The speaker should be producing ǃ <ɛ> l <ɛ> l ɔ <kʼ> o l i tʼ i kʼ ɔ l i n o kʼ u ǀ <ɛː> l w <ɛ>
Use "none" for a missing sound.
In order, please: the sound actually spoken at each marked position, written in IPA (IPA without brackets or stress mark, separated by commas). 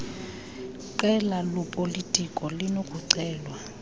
ɛ, a, pʼ, ɛː, a